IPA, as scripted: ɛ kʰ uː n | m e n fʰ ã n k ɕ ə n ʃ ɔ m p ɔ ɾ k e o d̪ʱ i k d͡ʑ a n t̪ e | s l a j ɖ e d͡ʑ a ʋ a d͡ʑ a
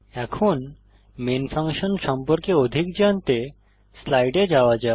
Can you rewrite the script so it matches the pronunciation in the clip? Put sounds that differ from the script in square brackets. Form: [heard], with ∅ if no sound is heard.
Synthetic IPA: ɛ kʰ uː n | m e n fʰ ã [ŋ] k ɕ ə n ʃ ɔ m p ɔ ɾ k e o d̪ʱ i k d͡ʑ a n t̪ e | s l a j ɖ e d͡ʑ a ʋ a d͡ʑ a